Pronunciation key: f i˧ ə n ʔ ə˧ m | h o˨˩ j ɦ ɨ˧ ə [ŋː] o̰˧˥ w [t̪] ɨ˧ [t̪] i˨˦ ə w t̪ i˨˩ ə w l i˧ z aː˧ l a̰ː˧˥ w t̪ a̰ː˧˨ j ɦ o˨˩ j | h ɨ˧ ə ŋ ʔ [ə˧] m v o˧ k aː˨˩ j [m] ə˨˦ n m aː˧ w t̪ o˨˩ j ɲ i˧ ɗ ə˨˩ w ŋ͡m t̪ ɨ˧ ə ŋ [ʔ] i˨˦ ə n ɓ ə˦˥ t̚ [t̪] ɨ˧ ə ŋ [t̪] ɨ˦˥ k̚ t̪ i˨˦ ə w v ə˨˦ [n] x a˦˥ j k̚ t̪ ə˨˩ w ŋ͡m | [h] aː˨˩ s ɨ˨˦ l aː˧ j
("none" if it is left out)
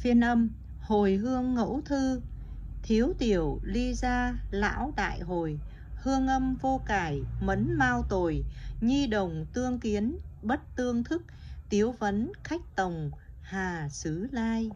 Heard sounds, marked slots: ŋː, t̪ʰ, t̪ʰ, ə˧, m, k, t̪, t̪ʰ, n, h

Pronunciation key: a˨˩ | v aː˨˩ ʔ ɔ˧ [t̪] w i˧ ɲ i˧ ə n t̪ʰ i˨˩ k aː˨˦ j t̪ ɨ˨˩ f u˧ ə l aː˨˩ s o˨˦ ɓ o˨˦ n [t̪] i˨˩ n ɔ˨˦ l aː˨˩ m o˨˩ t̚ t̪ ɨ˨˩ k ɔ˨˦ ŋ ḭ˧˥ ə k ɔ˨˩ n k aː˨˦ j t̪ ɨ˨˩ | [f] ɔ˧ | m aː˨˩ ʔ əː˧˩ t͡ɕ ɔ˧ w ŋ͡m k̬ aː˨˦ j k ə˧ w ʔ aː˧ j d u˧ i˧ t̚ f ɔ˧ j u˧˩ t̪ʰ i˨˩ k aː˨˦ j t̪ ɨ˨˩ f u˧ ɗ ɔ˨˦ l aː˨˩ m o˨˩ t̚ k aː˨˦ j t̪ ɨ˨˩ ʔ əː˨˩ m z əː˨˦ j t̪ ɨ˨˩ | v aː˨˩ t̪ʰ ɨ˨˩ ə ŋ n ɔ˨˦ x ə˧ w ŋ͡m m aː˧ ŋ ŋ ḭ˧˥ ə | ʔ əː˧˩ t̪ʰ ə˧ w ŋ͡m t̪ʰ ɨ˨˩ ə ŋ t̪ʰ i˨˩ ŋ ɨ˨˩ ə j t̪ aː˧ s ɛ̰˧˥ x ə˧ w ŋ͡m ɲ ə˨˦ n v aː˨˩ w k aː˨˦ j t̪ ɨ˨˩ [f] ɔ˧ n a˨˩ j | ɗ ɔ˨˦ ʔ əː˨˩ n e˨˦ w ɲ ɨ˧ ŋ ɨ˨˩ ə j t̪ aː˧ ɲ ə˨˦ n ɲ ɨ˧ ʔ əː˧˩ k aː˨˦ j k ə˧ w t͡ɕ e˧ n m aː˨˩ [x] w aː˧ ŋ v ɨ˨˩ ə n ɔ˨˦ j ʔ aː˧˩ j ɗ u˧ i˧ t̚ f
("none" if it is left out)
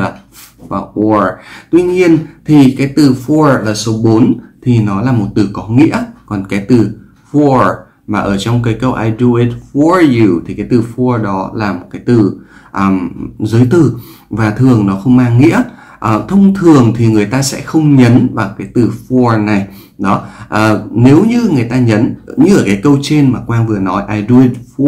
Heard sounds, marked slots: t̪, t̪ʰ, f, f, k

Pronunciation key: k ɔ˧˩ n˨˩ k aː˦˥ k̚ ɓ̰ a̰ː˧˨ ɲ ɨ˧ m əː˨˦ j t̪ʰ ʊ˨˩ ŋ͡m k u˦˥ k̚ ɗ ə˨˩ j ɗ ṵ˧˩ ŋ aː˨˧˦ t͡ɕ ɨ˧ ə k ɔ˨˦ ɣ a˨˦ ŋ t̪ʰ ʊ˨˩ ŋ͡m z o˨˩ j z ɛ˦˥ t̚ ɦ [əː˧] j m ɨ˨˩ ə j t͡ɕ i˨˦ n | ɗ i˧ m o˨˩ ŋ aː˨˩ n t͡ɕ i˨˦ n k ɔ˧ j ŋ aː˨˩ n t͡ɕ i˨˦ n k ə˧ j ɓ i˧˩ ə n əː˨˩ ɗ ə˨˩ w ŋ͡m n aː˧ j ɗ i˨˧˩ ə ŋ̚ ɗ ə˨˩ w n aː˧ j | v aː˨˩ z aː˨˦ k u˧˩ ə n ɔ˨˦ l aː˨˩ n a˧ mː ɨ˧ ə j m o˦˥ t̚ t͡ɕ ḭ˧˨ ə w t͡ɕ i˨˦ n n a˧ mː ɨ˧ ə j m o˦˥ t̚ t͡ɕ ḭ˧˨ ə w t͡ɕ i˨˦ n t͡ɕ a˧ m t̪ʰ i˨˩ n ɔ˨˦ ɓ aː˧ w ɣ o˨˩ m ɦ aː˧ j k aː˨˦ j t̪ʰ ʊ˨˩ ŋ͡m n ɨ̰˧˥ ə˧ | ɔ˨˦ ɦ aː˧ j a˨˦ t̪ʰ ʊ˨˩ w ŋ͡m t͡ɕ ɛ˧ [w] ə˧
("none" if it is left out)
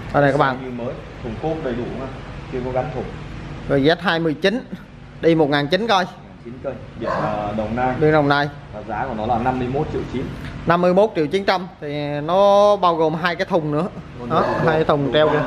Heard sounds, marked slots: aː˧, w

